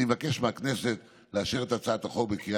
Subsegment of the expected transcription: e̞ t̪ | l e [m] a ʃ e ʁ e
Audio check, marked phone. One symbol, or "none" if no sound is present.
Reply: none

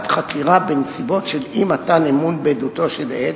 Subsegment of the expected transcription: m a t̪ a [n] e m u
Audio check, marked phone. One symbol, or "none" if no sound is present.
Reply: n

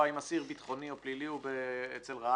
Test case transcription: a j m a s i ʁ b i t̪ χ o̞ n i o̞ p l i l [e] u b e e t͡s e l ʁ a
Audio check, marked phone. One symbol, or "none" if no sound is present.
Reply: i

